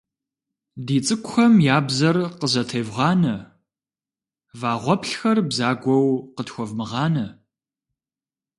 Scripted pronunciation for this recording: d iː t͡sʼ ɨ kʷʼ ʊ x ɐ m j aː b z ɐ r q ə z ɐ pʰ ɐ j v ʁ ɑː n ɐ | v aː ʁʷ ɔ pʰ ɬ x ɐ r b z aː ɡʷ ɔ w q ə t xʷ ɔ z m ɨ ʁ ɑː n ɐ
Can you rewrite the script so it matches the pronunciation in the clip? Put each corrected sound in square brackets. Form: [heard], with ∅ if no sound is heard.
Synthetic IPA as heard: d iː t͡sʼ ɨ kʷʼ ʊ x ɐ m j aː b z ɐ r q ə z ɐ [tʰ] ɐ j v ʁ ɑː n ɐ | v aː ʁʷ ɔ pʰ ɬ x ɐ r b z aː ɡʷ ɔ w q ə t xʷ ɔ [v] m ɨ ʁ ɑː n ɐ